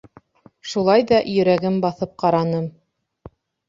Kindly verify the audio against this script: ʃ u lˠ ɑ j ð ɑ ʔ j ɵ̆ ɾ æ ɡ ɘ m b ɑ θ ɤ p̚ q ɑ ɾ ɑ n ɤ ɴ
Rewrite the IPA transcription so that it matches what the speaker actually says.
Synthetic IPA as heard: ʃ u lˠ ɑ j ð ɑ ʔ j ɵ̆ ɾ æ ɡ ɘ m b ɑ θ ɤ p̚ q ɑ ɾ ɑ n ɤ m